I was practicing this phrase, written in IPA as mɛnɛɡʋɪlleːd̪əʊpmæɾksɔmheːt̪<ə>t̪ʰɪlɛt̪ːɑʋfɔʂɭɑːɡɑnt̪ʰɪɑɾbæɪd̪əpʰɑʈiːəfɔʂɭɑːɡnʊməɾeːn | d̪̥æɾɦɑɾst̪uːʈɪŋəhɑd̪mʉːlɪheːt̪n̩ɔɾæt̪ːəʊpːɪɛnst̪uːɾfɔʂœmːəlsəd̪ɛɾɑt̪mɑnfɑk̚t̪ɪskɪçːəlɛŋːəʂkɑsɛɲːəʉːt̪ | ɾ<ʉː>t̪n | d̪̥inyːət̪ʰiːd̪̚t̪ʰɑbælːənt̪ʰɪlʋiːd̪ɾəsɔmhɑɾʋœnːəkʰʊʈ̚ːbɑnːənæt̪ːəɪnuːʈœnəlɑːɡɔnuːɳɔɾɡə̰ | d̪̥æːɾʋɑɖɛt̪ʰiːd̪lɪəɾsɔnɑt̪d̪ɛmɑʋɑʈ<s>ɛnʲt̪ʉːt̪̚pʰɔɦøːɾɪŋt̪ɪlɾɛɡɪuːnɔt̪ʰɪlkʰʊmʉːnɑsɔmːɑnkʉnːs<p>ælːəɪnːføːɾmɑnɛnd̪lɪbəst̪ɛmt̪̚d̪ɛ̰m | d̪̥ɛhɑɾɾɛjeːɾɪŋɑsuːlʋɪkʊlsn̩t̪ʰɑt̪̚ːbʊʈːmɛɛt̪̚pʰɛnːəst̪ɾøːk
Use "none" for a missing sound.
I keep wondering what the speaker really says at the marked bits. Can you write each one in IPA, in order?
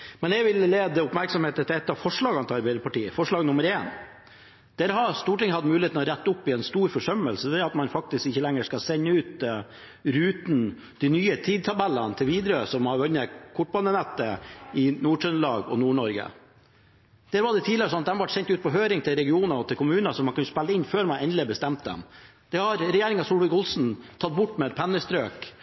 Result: ə, ʉː, s, p

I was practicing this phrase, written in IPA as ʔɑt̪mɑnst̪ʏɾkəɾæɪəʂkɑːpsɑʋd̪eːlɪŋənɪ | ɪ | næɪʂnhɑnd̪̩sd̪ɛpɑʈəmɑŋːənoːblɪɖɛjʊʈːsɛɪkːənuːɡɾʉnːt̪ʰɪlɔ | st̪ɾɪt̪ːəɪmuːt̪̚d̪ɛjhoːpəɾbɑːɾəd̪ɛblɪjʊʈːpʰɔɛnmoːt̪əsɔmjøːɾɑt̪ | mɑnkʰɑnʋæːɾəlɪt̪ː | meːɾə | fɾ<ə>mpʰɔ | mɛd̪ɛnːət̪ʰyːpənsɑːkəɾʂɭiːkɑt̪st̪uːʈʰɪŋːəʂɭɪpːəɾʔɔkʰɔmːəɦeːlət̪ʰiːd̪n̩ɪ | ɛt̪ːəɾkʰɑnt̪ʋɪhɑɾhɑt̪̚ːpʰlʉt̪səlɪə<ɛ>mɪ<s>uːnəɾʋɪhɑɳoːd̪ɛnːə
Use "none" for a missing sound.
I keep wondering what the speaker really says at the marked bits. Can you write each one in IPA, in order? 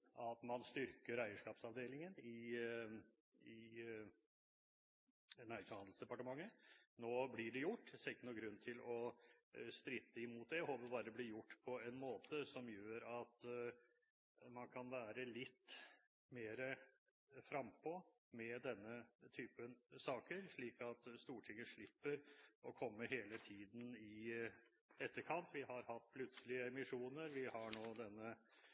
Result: ɑ, ɛ, ʂ

